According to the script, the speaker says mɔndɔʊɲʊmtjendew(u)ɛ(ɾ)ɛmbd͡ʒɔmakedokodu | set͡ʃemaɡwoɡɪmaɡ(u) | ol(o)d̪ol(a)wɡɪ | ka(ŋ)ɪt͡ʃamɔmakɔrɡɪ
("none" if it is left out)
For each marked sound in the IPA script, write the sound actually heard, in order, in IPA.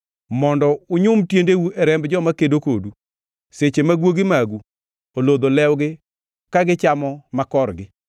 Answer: u, ɾ, u, o, ɛ, ɡ

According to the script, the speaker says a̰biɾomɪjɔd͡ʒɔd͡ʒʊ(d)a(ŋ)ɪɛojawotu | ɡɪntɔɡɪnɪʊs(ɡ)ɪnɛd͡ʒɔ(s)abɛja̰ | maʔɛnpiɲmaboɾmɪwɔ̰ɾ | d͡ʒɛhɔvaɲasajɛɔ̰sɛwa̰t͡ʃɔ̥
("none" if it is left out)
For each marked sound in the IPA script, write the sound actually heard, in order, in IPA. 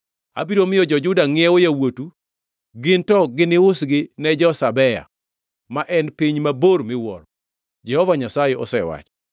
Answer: d, ŋ, ɡ, s

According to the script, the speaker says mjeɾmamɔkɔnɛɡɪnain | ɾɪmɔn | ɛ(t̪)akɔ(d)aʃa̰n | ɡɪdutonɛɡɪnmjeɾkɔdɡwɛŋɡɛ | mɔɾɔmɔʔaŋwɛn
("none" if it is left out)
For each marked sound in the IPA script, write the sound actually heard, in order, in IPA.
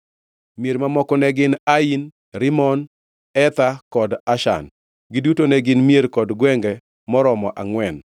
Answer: t̪, d

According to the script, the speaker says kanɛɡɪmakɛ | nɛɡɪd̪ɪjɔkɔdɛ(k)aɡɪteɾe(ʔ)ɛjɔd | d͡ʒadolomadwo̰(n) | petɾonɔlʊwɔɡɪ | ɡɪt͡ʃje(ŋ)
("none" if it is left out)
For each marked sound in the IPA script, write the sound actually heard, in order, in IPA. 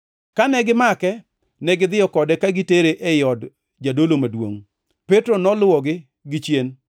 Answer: k, ʔ, ŋ, n

